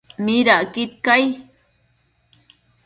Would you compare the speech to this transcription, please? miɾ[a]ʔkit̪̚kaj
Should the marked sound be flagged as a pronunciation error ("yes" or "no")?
no